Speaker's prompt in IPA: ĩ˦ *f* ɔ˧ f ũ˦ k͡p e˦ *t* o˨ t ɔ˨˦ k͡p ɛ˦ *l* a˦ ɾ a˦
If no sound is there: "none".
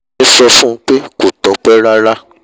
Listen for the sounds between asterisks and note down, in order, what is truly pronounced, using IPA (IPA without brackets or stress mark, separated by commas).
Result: s, k, ɾ